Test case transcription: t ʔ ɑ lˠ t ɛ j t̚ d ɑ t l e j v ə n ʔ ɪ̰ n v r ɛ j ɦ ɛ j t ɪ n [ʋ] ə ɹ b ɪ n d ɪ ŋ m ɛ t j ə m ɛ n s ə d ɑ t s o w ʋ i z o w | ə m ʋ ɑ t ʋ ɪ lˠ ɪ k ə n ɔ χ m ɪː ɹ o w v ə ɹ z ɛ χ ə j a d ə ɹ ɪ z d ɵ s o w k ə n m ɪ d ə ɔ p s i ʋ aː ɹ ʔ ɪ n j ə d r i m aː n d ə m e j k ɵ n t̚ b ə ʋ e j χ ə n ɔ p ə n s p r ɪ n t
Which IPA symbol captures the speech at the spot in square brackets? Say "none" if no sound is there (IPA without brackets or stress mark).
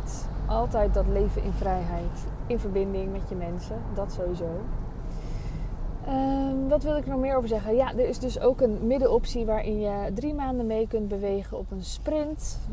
v